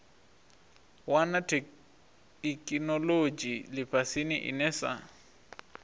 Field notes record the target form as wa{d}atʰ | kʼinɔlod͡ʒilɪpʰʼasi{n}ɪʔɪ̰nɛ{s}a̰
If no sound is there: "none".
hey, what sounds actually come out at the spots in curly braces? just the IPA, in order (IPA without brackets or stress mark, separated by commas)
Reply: n, n, s